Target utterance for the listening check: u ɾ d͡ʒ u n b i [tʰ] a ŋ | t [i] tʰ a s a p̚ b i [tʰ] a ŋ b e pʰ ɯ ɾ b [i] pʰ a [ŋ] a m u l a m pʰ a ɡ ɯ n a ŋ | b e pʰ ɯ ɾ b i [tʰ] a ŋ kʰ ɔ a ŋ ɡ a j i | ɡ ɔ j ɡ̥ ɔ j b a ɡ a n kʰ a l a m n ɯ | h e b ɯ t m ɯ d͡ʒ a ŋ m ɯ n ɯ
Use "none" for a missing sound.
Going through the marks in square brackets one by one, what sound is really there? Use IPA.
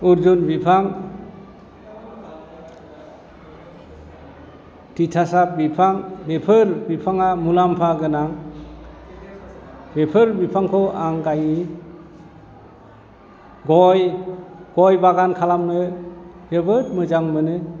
pʰ, i, pʰ, i, ŋ, pʰ

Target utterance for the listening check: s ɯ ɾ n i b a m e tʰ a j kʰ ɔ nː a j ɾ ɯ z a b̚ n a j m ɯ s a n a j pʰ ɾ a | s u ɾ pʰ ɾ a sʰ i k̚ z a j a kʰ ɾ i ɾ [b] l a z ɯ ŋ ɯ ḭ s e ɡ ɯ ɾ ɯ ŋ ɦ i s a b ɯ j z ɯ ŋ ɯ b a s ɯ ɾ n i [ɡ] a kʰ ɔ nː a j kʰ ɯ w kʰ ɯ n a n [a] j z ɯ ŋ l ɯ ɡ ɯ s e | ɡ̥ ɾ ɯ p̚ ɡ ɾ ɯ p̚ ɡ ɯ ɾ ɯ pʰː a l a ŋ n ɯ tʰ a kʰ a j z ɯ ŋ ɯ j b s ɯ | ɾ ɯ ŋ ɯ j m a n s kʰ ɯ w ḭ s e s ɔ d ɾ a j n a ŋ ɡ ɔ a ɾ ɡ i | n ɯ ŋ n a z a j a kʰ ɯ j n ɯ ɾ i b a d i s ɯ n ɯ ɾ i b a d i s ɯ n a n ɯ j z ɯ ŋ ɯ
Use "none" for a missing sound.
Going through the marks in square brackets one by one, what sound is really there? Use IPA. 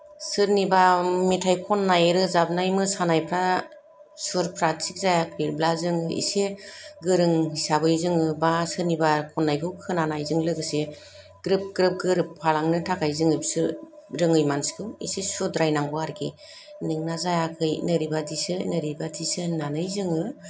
b, b, a

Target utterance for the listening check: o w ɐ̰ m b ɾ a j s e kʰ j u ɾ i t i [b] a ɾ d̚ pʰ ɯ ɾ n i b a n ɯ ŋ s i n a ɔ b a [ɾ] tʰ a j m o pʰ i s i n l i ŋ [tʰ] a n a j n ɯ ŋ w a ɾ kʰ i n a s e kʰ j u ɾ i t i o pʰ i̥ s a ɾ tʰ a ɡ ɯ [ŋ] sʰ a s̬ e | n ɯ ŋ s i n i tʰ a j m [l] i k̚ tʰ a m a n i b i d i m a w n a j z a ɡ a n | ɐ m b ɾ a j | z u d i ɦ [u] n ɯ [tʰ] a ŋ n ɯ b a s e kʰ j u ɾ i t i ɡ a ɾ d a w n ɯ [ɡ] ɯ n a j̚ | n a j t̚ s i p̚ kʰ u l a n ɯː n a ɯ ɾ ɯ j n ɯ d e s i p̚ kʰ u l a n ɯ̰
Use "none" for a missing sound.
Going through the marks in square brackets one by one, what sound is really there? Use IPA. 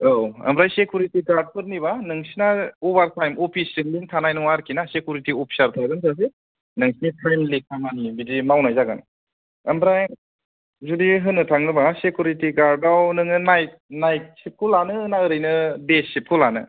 ɡ, ɾ, tʰ, n, l, ɯ, tʰ, ŋ

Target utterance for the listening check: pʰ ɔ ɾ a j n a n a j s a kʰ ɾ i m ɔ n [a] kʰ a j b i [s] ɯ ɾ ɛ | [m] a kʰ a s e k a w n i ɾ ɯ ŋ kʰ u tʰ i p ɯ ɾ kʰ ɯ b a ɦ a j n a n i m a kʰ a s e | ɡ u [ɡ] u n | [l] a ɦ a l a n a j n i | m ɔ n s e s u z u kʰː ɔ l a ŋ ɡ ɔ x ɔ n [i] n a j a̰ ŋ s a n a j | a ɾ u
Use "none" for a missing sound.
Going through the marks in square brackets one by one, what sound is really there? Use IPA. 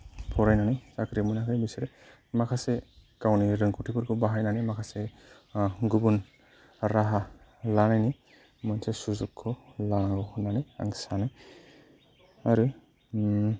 a, s, m, b, ɾ, a

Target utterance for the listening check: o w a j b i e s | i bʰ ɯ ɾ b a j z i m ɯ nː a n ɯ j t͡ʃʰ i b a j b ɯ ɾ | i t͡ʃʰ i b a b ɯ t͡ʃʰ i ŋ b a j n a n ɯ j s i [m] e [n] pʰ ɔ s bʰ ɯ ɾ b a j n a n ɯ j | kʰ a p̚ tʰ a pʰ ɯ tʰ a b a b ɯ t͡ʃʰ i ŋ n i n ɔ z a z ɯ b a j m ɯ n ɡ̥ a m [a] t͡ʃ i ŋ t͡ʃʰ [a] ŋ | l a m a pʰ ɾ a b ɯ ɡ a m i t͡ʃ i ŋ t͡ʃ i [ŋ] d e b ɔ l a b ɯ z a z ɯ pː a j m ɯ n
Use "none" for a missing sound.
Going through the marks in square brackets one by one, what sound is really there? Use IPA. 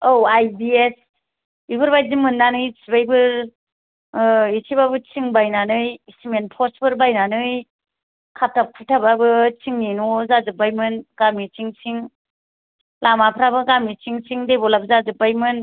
m, n, i, i, ŋ

